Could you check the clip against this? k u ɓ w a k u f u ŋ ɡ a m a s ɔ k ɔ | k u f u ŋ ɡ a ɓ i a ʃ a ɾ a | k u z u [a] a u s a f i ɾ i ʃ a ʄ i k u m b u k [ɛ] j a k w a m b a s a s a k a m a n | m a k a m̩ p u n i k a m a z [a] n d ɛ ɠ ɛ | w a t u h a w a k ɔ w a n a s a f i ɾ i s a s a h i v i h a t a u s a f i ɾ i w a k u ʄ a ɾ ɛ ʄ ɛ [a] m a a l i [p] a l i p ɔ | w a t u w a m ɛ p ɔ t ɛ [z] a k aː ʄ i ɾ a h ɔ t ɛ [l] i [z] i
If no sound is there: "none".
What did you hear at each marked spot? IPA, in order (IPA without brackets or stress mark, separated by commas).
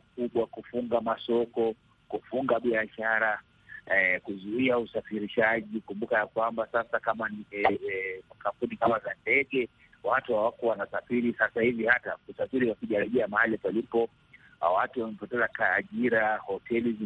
i, a, a, a, p, z, l, z